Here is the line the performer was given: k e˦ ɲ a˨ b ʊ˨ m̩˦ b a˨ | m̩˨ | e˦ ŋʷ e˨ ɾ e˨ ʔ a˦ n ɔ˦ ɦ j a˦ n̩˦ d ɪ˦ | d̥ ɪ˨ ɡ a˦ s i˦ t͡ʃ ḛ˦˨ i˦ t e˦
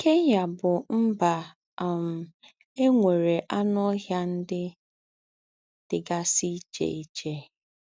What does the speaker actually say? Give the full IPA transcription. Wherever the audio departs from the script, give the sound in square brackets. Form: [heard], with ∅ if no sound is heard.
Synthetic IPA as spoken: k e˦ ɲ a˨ b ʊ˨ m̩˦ b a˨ | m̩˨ | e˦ ŋʷ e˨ ɾ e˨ ʔ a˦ n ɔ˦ ɦ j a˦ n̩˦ d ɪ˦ | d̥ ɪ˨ ɡ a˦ s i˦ t͡ʃ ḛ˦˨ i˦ [t͡ʃ] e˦